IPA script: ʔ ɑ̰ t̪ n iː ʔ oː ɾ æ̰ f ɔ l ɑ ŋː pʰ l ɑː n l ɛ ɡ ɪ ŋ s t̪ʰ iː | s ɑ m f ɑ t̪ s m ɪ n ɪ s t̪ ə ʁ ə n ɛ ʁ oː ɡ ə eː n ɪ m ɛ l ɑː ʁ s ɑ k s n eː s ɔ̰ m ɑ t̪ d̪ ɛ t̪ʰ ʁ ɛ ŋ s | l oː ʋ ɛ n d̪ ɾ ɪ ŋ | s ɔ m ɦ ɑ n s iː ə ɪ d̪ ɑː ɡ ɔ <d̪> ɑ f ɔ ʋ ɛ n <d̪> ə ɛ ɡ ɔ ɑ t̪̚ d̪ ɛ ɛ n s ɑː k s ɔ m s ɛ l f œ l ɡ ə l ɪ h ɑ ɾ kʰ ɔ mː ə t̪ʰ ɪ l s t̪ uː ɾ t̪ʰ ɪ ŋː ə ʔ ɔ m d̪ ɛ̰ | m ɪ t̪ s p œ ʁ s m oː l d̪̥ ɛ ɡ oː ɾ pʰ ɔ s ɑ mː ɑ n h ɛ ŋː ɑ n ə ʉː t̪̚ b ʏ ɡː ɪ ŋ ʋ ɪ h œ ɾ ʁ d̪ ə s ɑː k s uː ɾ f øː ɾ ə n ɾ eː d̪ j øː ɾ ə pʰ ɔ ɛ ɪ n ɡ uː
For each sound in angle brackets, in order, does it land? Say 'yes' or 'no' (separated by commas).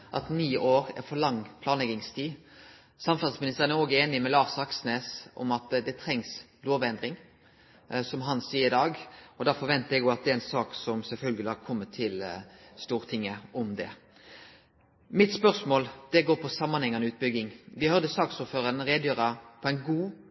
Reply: yes, no